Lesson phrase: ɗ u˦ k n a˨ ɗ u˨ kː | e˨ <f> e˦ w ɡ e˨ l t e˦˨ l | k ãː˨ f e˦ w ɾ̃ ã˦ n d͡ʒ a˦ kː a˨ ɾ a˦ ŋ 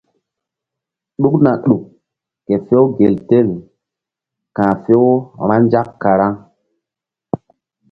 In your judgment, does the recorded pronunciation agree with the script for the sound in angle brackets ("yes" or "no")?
yes